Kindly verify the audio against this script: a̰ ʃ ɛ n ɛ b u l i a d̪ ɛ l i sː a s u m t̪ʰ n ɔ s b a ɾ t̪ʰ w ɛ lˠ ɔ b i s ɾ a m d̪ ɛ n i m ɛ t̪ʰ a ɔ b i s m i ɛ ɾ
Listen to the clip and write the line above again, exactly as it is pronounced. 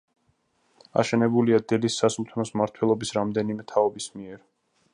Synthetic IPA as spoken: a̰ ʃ ɛ n ɛ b u l i a d̪ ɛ l i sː a s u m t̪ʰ n ɔ s m a ɾ t̪ʰ w ɛ lˠ ɔ b i s ɾ a m d̪ ɛ n i m ɛ t̪ʰ a ɔ b i s m i ɛ ɾ

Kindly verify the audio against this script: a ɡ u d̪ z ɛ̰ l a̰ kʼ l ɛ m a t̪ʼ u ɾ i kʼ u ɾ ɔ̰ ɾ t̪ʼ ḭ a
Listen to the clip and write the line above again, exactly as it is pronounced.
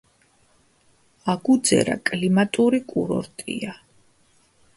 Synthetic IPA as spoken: a ɡ u d̪ z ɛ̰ ɾ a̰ kʼ l i m a t̪ʼ u ɾ i kʼ u ɾ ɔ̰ ɾ t̪ʼ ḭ a

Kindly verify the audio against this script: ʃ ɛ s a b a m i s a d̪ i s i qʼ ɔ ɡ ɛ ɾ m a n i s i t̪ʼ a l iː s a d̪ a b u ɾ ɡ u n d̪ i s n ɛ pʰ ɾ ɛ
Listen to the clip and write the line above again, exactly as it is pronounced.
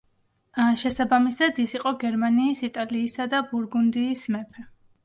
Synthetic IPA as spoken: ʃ ɛ s a b a m i s a d̪ i s i qʼ ɔ ɡ ɛ ɾ m a n iː s i t̪ʼ a l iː s a d̪ a b u ɾ ɡ u n d̪ iː s m ɛ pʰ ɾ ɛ

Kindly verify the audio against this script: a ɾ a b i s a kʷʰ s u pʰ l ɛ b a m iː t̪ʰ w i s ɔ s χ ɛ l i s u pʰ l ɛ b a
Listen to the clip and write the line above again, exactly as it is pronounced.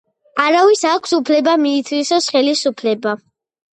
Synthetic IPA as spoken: a ɾ a v i s a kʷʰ s u pʰ l ɛ b a m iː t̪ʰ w i s ɔ s χ ɛ l i s u pʰ l ɛ b a

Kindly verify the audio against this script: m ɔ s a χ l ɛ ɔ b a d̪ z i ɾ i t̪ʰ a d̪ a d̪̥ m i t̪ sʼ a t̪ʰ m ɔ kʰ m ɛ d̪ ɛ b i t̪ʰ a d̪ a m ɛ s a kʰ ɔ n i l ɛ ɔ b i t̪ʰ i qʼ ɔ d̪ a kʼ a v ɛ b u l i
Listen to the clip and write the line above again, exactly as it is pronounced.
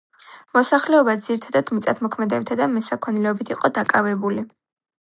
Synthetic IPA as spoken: m ɔ s a χ l ɛ ɔ b a d̪ z i ɾ i t̪ʰ a d̪ a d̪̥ m i t̪ sʼ a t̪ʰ m ɔ kʰ m ɛ d̪ ɛ b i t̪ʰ a d̪ a m ɛ s a kʰ ɔ n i l ɛ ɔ b i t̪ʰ i qʼ ɔ d̪ a kʼ a v ɛ b u l i

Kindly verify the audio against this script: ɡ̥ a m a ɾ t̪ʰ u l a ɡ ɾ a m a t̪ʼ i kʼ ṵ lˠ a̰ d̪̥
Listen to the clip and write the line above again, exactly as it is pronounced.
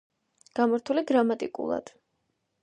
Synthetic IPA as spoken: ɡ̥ a m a ɾ t̪ʰ u l i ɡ ɾ a m a t̪ʼ i kʼ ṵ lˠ a̰ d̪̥

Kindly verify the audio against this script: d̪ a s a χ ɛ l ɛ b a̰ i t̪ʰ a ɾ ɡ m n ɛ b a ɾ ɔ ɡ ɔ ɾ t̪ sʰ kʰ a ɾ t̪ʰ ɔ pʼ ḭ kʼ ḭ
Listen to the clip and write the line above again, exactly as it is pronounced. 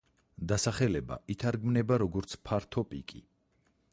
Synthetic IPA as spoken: d̪ a s a χ ɛ l ɛ b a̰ i t̪ʰ a ɾ ɡ m n ɛ b a ɾ ɔ ɡ ɔ ɾ t̪ sʰ pʰ a ɾ t̪ʰ ɔ pʼ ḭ kʼ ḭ

